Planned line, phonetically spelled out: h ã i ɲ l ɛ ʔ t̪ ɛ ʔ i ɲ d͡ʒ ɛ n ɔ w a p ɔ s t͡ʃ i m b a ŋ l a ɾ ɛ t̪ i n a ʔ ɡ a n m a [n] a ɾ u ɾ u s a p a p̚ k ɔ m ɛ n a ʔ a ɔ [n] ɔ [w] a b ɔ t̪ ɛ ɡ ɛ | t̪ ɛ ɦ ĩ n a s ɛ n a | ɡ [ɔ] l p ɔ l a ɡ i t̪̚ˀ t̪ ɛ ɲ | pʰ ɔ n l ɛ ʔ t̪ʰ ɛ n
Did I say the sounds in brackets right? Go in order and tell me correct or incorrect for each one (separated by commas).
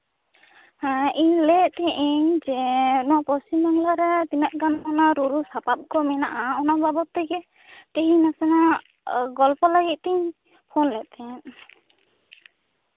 correct, correct, incorrect, correct